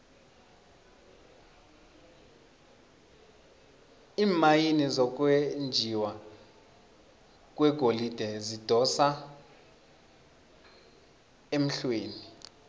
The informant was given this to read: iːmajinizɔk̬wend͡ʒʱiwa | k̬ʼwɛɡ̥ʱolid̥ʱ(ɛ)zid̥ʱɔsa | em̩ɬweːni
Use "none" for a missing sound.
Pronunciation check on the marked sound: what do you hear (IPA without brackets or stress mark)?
ɛ